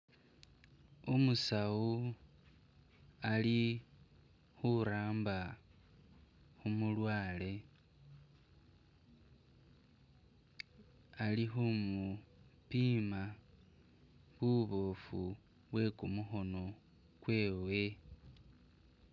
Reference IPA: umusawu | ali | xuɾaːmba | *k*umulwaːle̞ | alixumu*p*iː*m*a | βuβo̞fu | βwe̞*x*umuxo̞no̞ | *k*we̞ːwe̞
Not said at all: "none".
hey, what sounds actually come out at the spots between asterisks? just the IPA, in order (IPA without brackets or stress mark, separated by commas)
x, p, m, k, k